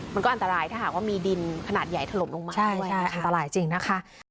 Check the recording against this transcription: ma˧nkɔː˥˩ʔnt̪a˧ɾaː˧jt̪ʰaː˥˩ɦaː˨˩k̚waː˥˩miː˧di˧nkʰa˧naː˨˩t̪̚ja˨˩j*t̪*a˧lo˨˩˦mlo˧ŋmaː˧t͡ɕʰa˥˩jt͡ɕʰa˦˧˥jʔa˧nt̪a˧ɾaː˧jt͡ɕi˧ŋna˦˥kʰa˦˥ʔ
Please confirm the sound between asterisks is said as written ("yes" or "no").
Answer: no